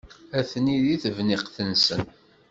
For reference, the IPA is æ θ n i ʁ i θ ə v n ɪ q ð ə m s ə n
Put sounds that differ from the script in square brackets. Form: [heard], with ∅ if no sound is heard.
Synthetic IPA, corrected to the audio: æ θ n i [ð] i θ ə v n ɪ q [θ] ə [n] s ə n